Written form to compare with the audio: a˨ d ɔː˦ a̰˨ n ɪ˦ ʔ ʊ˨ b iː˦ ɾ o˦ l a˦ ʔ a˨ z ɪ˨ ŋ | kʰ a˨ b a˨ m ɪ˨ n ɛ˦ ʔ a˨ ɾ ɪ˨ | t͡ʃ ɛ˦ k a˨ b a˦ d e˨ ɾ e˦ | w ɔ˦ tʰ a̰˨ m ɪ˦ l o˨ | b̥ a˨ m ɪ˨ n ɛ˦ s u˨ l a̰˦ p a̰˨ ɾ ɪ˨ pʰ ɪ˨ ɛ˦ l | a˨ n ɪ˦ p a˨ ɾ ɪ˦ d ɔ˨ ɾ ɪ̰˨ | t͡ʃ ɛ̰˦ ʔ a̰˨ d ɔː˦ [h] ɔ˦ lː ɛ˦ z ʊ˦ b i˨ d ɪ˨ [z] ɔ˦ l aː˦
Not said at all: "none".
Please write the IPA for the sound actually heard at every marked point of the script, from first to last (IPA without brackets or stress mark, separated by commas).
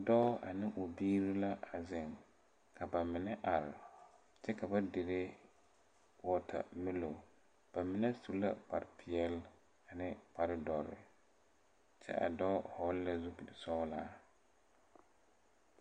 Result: h, s